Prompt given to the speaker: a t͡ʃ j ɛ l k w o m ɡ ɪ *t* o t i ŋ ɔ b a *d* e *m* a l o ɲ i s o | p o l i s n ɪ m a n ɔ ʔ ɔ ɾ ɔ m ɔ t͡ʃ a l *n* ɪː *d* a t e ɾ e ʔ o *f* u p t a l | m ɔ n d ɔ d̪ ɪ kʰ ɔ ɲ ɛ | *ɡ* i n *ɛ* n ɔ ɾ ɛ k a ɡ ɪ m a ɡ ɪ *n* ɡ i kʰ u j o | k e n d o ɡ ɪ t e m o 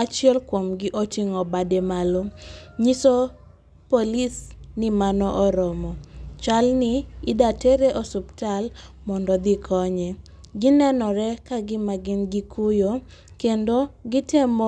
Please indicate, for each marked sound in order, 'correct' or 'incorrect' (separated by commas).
incorrect, correct, correct, correct, correct, incorrect, correct, correct, correct